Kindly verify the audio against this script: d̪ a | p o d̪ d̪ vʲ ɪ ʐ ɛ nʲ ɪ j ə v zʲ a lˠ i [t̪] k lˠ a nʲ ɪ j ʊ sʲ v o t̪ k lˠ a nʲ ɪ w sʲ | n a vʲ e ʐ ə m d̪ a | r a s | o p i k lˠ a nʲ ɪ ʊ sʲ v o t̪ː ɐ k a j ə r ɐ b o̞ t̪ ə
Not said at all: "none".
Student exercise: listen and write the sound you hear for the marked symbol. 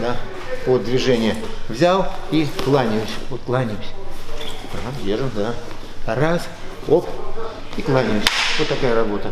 none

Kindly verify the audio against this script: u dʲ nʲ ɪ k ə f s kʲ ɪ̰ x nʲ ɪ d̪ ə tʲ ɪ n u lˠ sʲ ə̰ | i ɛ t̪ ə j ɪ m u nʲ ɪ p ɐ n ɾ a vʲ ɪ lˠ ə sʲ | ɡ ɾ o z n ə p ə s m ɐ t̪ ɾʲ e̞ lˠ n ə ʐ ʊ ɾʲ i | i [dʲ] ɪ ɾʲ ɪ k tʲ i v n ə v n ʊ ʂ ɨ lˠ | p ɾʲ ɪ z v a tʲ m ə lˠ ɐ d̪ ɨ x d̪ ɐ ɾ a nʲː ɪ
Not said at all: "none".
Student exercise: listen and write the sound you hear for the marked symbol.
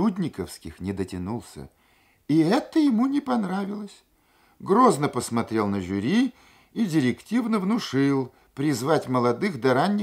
dʲ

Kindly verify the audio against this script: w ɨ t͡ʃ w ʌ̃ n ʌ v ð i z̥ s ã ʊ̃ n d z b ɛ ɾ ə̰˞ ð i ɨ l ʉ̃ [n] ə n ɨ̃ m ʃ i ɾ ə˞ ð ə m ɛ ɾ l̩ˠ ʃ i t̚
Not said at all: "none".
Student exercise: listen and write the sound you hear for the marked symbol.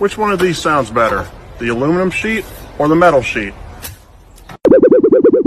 m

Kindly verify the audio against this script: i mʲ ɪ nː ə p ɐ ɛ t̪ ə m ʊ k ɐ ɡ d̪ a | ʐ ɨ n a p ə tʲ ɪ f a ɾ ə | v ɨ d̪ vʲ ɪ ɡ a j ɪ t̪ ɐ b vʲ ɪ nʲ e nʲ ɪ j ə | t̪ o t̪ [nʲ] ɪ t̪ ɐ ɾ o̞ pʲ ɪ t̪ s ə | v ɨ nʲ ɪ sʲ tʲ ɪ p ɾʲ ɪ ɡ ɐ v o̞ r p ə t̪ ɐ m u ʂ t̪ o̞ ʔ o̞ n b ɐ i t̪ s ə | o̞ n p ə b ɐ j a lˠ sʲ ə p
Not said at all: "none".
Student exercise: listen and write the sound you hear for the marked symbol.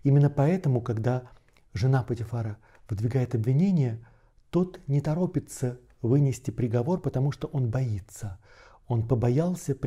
nʲ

